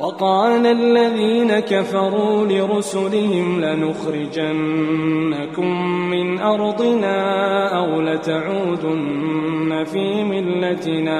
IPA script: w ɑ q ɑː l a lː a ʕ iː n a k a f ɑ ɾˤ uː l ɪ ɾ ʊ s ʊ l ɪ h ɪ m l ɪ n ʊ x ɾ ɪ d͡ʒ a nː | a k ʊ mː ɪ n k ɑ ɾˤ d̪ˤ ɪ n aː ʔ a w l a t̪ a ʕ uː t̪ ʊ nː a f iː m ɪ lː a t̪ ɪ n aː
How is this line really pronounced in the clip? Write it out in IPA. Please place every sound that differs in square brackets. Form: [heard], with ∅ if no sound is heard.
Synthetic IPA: w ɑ q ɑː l a lː a [ð] iː n a k a f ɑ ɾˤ uː l ɪ ɾ ʊ s ʊ l ɪ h ɪ m l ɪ n ʊ x ɾ ɪ d͡ʒ a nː | a k ʊ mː ɪ n [ʔ] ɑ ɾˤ d̪ˤ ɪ n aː ʔ a w l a t̪ a ʕ uː [d̪] ʊ nː a f iː m ɪ lː a t̪ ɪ n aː